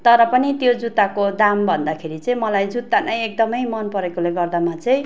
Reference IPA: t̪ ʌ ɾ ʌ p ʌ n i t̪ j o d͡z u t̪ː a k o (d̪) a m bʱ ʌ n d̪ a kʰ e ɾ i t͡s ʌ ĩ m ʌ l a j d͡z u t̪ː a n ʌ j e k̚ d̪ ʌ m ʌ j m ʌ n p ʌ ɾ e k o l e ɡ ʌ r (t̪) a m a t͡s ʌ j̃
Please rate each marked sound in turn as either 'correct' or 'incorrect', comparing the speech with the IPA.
correct, incorrect

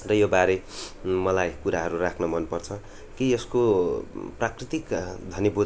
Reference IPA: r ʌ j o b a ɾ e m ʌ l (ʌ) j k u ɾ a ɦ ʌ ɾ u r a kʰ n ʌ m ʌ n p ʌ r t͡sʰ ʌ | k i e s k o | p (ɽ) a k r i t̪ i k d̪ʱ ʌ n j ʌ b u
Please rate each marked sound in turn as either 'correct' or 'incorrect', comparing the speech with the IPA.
incorrect, incorrect

